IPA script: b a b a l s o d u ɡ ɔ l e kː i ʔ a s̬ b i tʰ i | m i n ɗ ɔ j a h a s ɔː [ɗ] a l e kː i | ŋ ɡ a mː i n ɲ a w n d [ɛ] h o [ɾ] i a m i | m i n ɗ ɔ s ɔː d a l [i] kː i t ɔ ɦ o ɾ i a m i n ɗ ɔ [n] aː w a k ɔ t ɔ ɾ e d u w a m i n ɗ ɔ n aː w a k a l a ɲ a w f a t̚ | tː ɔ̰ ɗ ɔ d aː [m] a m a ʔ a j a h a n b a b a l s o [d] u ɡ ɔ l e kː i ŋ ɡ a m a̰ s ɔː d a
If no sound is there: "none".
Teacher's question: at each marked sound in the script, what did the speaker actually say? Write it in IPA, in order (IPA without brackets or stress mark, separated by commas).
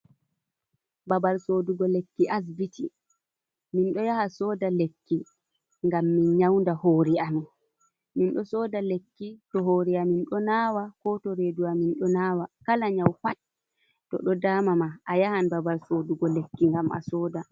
d, a, ɾ, e, n, m, d